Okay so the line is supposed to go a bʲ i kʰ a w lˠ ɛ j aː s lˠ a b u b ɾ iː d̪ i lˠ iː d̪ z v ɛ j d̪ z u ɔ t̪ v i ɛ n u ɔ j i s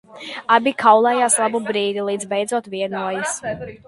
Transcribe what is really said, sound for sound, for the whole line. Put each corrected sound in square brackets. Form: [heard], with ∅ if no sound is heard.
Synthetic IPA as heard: a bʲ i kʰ a w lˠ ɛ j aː s lˠ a b u b ɾ iː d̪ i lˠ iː d̪ z [b] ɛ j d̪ z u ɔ t̪ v i ɛ n u ɔ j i s